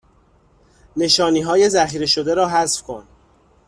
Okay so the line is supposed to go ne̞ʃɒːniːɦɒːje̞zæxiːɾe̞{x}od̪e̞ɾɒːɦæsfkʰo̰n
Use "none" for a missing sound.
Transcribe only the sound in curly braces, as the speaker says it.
ʃ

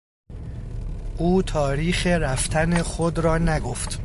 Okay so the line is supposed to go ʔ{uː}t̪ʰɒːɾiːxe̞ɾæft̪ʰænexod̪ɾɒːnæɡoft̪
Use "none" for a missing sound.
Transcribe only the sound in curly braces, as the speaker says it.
uː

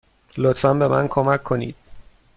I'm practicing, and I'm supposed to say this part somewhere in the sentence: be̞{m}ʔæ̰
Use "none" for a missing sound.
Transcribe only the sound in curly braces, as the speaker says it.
m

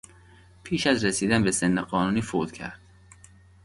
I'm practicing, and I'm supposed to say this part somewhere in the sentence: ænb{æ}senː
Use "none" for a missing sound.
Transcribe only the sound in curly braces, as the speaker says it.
e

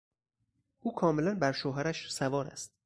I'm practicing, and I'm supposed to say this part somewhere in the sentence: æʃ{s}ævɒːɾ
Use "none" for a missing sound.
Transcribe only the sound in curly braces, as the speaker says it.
s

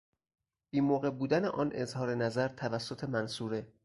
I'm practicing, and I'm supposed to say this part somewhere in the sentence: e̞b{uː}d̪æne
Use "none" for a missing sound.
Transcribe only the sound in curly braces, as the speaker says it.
uː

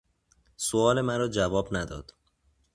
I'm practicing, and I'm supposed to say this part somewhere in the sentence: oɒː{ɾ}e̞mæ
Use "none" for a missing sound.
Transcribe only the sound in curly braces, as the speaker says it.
l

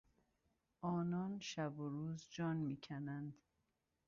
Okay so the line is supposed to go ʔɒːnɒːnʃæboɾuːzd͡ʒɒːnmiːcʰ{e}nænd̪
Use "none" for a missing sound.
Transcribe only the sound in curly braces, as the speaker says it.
æ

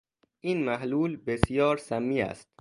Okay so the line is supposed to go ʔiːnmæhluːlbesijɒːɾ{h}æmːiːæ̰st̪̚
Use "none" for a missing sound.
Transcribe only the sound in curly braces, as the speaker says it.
s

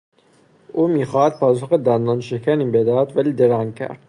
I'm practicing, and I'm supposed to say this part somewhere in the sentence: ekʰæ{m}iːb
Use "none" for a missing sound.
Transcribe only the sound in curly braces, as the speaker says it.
n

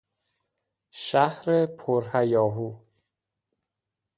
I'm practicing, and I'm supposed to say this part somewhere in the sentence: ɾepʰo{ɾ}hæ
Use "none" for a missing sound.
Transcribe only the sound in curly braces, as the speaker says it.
ɾ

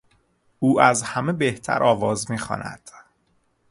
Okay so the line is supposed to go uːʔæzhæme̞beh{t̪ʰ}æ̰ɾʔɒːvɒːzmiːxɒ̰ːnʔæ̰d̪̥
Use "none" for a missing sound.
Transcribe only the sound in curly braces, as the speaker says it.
t̪ʰ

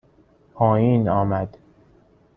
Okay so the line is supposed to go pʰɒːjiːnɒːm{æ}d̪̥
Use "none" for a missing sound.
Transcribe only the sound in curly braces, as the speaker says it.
æ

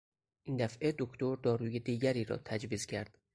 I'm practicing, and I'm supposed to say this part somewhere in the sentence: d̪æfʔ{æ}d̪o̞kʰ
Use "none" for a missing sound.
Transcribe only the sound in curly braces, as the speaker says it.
e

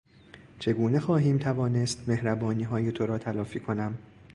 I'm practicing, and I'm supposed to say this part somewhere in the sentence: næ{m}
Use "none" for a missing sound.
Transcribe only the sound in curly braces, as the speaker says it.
m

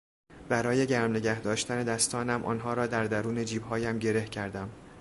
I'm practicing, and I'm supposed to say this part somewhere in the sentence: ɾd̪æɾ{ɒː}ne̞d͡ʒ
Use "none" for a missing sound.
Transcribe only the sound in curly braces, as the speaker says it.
uː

